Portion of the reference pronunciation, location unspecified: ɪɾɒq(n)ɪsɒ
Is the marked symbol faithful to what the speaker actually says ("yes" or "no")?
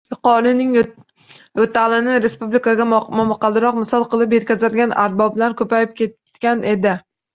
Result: no